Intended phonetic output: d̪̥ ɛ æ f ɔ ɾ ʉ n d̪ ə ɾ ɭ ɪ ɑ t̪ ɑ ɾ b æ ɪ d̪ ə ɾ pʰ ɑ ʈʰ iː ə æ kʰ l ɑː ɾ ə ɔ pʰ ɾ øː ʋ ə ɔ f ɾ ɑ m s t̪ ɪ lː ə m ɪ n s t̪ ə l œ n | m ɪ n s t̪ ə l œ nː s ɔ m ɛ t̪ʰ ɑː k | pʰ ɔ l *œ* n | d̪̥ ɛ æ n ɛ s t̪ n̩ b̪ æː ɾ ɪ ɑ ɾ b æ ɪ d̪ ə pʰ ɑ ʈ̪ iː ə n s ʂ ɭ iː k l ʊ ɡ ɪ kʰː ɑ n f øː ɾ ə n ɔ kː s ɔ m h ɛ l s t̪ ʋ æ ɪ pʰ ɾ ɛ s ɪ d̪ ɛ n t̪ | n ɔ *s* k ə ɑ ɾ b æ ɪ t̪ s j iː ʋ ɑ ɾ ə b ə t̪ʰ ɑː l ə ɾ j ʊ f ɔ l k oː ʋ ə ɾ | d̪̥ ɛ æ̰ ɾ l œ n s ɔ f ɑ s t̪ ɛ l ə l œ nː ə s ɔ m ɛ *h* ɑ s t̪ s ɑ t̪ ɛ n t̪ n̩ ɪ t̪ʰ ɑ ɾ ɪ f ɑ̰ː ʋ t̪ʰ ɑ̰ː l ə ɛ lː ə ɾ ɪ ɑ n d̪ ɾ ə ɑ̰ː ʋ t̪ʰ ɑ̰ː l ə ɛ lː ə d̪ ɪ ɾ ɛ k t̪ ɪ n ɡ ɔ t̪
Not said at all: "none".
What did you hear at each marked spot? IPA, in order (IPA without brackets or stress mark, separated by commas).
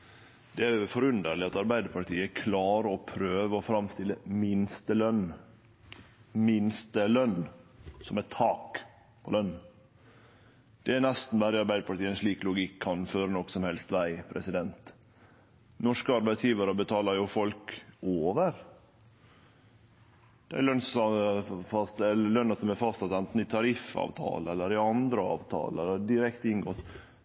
œ, ʂ, f